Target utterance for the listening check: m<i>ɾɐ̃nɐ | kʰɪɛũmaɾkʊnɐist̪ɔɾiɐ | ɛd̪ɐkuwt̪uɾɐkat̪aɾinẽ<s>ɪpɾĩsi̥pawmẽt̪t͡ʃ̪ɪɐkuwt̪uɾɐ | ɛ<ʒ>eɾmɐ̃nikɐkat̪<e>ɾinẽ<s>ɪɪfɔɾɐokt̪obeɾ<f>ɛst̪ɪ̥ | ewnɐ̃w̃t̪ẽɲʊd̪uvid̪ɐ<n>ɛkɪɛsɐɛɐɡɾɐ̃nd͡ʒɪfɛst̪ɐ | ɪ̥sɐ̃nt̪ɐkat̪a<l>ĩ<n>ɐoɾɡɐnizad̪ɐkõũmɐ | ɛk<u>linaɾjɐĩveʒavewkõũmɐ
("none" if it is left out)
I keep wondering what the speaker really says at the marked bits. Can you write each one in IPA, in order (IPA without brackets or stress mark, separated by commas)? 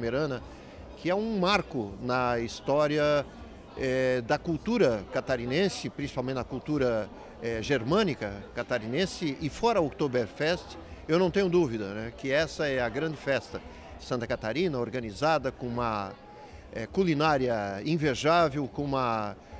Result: e, s, ʒ, a, s, f, n, ɾ, n, u